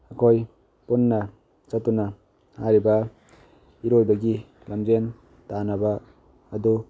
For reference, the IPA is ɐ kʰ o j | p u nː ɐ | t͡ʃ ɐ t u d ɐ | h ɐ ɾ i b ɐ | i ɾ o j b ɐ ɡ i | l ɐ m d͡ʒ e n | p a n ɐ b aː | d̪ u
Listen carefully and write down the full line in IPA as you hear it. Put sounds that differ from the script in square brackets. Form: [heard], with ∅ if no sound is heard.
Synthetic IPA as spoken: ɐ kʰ o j | p u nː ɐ | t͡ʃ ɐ t u [n] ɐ | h [a] ɾ i b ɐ | i ɾ o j b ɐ ɡ i | l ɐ m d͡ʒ e n | [t] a n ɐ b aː | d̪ u

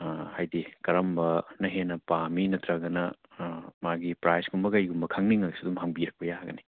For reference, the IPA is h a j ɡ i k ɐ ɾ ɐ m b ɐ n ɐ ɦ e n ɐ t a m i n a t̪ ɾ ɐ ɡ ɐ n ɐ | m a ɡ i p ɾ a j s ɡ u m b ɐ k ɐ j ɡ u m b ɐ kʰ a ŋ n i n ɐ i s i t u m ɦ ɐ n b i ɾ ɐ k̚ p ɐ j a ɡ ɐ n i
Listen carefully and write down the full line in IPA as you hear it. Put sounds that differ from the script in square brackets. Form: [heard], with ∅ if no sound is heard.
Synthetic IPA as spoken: h a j [d] i k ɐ ɾ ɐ m b ɐ n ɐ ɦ e n ɐ [p] a m i n [ɐ] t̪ ɾ ɐ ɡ ɐ n ɐ | m a ɡ i p ɾ a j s ɡ u m b ɐ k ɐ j ɡ u m b ɐ kʰ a ŋ n i [ŋ] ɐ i s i [d] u m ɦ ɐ [ŋ] b i ɾ ɐ k̚ p ɐ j a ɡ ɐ n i

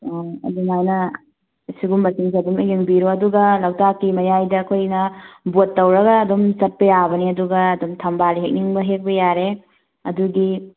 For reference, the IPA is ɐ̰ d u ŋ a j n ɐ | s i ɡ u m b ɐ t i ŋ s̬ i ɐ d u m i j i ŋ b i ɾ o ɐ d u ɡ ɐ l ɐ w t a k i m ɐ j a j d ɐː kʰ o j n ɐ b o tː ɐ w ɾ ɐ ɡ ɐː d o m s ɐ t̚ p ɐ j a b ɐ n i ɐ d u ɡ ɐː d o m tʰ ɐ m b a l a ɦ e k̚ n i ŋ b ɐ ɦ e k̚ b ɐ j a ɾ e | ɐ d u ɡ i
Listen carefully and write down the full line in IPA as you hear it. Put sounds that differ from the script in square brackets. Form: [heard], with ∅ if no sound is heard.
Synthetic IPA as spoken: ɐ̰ d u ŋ a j n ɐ | s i ɡ u m b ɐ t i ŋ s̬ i ɐ d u m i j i ŋ b i ɾ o ɐ d u ɡ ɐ l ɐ w t a k i m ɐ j a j d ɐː kʰ o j n ɐ b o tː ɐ w ɾ ɐ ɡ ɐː d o m s ɐ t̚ p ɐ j a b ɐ n i ɐ d u ɡ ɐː d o m tʰ ɐ m b a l [i] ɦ e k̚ n i ŋ b ɐ ɦ e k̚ b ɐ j a ɾ e | ɐ d u ɡ i

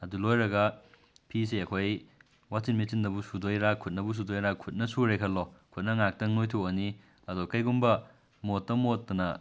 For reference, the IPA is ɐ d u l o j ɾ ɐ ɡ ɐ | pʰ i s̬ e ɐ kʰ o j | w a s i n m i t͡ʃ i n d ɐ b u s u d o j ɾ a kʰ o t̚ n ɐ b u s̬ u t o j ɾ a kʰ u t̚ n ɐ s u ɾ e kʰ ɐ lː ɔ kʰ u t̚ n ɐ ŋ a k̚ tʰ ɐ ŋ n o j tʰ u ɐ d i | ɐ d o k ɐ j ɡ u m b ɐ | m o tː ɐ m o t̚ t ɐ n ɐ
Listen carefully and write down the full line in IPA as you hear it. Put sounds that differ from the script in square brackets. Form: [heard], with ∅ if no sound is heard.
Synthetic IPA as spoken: ɐ d u l o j ɾ ɐ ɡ ɐ | pʰ i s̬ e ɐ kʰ o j | w a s i n m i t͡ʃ i n d ɐ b u s u d o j ɾ a kʰ [u] t̚ n ɐ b u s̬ u [d] o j ɾ a kʰ u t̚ n ɐ s u ɾ e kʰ ɐ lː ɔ kʰ u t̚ n ɐ ŋ a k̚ [t] ɐ ŋ n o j tʰ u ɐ [n] i | ɐ d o k ɐ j ɡ u m b ɐ | m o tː ɐ m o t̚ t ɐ n ɐ

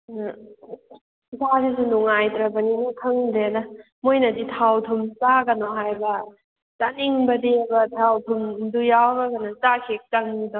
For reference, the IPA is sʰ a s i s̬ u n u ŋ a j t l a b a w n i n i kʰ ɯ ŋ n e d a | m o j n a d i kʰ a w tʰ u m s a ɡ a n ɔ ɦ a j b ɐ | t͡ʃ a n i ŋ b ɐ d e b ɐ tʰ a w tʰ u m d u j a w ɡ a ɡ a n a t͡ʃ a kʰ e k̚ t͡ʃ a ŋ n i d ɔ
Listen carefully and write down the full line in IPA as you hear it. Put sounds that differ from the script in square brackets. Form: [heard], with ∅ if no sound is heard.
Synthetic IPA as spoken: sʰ a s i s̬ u n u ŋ a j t [ɾ] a b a [∅] n i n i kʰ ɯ ŋ [d] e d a | m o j n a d i [tʰ] a w tʰ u m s a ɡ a n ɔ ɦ a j b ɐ | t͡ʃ a n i ŋ b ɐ d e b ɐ tʰ a w tʰ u m d u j a w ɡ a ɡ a n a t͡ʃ a kʰ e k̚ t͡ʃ a ŋ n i d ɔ

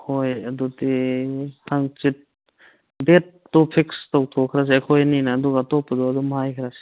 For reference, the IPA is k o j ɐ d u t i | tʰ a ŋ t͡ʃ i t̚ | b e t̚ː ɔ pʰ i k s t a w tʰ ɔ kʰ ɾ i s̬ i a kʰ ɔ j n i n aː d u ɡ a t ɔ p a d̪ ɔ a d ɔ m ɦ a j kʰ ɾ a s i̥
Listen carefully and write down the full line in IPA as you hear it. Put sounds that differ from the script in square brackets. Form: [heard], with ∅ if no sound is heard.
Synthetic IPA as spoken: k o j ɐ d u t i | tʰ a ŋ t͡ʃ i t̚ | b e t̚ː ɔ pʰ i k s t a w tʰ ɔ kʰ ɾ [a] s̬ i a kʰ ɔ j n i n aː d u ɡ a t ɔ p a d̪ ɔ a d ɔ m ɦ a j kʰ ɾ a s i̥

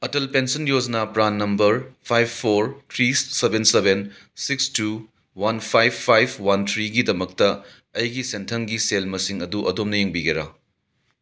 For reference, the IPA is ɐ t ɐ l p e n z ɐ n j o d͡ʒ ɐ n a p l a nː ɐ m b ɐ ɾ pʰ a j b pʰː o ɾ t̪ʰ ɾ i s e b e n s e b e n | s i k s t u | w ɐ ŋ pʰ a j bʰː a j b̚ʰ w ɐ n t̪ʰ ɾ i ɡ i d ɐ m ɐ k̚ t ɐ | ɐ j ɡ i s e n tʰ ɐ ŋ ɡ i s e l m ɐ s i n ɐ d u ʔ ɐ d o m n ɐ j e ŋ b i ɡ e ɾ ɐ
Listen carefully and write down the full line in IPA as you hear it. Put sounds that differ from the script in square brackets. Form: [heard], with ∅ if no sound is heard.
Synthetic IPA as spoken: ɐ t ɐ l p e n [s] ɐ n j o d͡ʒ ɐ n a p [ɾ] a nː ɐ m b ɐ ɾ pʰ a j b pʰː o ɾ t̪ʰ ɾ i s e b e n s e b e n | s i k s t u | w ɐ [n] pʰ a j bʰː a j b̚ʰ w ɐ n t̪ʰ ɾ i ɡ i d ɐ m ɐ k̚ t ɐ | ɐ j ɡ i s e n tʰ ɐ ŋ ɡ i s e l m ɐ s i [ŋ] ɐ d u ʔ ɐ d o m n ɐ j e ŋ b i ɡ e ɾ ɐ

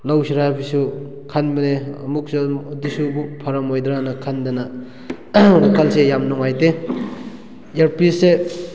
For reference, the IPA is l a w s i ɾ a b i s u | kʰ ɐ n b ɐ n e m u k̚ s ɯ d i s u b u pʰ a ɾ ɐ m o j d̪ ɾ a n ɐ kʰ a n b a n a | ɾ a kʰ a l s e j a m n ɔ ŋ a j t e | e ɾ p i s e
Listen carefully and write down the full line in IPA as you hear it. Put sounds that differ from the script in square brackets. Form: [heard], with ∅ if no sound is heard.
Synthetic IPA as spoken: l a w s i ɾ a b i s u | kʰ [a] n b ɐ n e m u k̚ s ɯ d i s u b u pʰ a ɾ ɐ m o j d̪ ɾ a n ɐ kʰ a n [d] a n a | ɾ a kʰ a l s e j a m n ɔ ŋ a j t e | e ɾ p i s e

